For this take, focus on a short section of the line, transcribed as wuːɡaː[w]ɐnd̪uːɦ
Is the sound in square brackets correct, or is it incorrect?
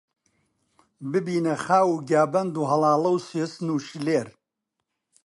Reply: incorrect